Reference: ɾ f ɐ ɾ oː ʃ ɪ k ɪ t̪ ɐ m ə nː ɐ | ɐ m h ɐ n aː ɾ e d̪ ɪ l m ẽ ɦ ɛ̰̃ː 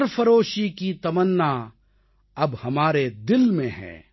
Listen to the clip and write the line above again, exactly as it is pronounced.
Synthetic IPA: ɾ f ɐ ɾ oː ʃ i k i t̪ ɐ m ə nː a | ɐ b h ɐ m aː ɾ e d̪ ɪ l m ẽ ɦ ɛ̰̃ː